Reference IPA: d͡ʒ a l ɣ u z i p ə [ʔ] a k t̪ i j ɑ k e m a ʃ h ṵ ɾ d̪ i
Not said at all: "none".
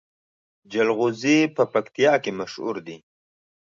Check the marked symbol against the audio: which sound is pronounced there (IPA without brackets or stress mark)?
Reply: p